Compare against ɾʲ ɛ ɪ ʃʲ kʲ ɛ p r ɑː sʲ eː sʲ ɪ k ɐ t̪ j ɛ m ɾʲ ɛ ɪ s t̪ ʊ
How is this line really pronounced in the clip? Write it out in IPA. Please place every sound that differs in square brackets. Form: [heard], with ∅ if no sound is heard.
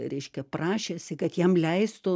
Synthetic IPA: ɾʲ ɛ ɪ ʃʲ kʲ ɛ p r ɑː [ʃʲ] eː sʲ ɪ k ɐ t̪ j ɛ m [lʲ] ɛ ɪ s t̪ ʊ